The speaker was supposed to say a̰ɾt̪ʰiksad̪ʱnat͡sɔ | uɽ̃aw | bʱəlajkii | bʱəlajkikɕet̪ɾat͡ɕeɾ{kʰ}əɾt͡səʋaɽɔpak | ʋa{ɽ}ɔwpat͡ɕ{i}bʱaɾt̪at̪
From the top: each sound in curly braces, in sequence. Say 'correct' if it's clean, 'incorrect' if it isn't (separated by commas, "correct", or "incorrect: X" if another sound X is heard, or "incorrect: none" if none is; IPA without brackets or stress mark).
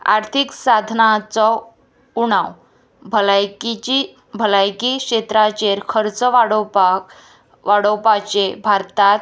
correct, correct, incorrect: e